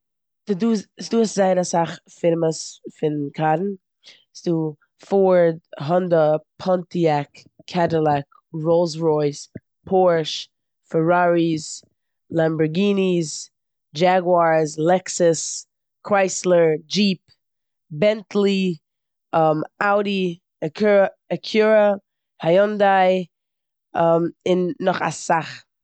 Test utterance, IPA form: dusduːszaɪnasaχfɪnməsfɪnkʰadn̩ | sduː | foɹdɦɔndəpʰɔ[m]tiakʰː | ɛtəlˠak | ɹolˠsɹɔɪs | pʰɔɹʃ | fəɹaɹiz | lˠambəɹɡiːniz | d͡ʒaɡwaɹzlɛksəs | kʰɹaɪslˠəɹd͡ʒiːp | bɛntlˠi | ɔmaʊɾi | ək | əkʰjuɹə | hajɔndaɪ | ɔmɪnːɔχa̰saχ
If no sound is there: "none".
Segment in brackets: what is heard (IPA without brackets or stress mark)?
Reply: n